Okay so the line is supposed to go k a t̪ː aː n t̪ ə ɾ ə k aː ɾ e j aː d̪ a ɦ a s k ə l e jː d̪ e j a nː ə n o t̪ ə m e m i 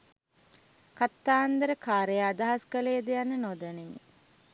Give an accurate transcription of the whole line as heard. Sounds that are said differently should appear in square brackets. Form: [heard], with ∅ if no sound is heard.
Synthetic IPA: k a t̪ː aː n [d̪] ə ɾ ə k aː ɾ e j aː d̪ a ɦ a s k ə l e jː d̪ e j a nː ə n o [d̪] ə [n] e m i